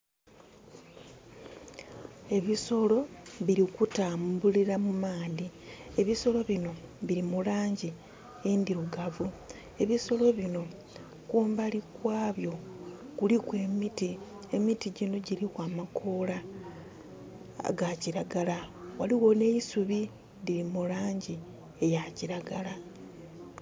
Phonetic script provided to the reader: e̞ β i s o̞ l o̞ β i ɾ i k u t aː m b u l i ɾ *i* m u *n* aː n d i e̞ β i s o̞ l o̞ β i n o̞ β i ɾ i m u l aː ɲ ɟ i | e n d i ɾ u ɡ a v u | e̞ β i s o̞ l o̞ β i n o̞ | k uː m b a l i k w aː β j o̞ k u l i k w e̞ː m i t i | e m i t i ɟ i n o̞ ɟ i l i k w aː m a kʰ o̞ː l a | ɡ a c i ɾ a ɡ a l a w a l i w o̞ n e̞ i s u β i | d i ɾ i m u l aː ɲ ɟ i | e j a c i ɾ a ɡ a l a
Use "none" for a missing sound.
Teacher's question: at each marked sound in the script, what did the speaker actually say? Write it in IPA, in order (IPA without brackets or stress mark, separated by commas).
a, m